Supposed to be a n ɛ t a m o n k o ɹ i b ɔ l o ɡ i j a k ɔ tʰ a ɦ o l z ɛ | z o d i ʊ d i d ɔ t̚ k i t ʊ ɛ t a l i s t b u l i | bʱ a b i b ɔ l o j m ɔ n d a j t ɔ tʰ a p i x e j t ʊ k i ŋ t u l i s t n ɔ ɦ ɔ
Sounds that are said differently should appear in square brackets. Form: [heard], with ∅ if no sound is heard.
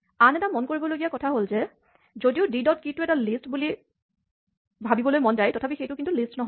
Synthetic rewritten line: a n ɛ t a m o n k o ɹ i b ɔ l o ɡ i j a k ɔ tʰ a ɦ o l z ɛ | z o d i ʊ d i d ɔ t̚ k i t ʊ ɛ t a l i s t b u l i | bʱ a b i b ɔ l o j m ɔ n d a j t ɔ tʰ a p i x e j t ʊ k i [n] t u l i s t n ɔ ɦ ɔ